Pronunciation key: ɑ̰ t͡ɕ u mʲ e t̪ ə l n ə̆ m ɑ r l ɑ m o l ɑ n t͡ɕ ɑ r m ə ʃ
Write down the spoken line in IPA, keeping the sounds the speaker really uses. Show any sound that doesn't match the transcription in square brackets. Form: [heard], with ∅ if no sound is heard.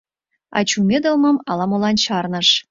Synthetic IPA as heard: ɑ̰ t͡ɕ u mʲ e [d̪] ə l [m] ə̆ m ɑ [∅] l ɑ m o l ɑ n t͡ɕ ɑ r [n] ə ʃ